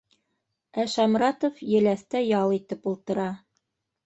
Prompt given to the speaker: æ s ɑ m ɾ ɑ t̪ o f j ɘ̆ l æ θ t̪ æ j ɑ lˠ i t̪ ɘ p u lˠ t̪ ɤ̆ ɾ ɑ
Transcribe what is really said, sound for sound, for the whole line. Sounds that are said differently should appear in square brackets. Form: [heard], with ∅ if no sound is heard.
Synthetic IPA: æ [ʃ] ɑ m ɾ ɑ t̪ o f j ɘ̆ l æ θ t̪ æ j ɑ lˠ i t̪ ɘ p u lˠ t̪ ɤ̆ ɾ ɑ